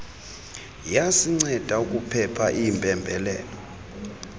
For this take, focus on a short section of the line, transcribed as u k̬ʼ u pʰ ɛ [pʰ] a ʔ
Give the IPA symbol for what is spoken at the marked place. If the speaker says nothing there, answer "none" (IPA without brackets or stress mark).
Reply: pʰ